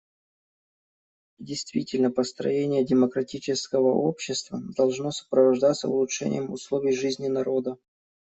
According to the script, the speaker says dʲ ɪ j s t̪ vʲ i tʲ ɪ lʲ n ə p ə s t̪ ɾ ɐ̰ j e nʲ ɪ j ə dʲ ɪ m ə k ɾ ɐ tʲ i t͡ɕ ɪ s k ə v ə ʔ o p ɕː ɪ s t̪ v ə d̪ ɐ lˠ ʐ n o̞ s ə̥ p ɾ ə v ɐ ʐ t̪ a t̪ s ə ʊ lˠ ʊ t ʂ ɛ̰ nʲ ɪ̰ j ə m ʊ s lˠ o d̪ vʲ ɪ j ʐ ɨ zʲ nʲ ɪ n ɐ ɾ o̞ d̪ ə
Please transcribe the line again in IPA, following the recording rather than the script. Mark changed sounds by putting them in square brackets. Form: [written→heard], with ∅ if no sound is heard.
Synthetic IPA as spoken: dʲ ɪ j s t̪ vʲ i tʲ ɪ lʲ n ə p ə s t̪ ɾ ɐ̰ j e nʲ ɪ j ə dʲ ɪ m ə k ɾ ɐ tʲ i t͡ɕ ɪ s k ə v ə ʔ o p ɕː ɪ s t̪ v ə d̪ ɐ lˠ ʐ n o̞ s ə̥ p ɾ ə v ɐ ʐ [t̪→d̪] a t̪ s ə ʊ lˠ ʊ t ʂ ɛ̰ nʲ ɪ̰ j ə m ʊ s lˠ o [d̪→∅] vʲ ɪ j ʐ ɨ zʲ nʲ ɪ n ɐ ɾ o̞ d̪ ə